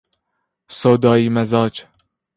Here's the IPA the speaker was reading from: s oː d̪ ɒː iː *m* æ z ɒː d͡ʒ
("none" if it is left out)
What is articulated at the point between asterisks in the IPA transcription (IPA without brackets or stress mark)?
m